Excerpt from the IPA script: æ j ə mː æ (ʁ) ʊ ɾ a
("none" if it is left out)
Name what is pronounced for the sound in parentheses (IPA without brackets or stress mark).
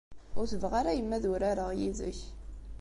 ð